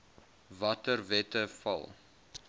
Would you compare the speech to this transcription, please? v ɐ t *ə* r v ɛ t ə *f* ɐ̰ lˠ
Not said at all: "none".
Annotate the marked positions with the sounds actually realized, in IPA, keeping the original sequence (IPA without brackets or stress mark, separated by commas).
ə, f